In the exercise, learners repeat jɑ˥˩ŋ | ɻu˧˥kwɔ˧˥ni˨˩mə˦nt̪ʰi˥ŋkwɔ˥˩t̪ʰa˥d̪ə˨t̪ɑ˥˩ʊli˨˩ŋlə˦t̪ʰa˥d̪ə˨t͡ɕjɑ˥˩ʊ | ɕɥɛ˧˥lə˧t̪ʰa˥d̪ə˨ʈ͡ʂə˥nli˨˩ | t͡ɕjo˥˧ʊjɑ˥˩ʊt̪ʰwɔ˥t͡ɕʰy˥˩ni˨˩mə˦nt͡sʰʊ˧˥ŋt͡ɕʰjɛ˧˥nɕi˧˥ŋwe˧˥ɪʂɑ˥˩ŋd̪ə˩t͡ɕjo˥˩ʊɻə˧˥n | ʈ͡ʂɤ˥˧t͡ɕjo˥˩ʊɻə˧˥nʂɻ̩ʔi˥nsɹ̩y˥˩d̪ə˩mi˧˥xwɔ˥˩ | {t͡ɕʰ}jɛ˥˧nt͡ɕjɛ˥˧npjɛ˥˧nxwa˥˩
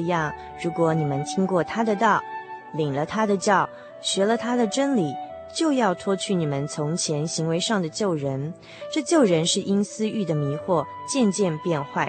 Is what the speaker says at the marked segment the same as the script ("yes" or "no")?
no